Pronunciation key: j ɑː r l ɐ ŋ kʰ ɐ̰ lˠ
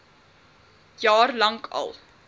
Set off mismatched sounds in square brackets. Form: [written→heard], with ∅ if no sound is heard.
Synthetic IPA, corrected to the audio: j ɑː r l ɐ ŋ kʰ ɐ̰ lˠ